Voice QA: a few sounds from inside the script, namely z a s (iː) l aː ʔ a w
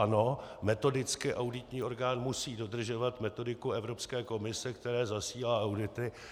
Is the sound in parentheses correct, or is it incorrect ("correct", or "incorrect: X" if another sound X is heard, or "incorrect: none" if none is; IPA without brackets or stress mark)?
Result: correct